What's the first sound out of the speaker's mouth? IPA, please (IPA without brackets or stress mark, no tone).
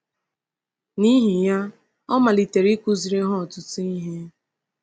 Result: n